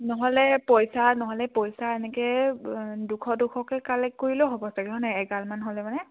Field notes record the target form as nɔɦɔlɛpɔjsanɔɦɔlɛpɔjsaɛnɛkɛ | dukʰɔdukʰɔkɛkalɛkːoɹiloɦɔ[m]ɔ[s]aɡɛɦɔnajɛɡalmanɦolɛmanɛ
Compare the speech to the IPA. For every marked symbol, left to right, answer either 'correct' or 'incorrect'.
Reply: incorrect: b, correct

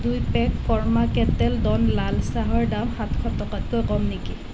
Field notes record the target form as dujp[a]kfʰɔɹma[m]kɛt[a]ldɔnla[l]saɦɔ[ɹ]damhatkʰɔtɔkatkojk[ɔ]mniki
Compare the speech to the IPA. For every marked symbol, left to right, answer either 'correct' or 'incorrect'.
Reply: incorrect: ɛ, incorrect: none, incorrect: ɛ, correct, correct, correct

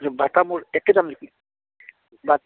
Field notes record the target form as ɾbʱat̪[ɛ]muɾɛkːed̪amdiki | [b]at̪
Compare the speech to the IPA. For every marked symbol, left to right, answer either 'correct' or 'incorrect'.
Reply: incorrect: a, correct

